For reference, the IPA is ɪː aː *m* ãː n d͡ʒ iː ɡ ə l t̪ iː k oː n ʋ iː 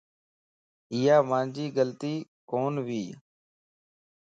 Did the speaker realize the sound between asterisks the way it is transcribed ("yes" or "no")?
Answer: yes